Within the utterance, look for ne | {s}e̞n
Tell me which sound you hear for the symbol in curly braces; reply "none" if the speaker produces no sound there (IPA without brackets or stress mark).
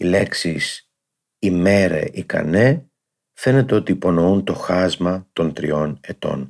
f